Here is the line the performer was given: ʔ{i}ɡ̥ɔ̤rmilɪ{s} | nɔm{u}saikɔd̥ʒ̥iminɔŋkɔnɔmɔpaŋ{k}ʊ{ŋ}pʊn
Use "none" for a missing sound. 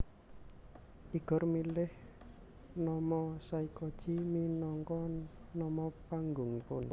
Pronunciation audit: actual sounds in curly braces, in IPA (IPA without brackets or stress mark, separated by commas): i, h, ɔ, ɡ, ŋ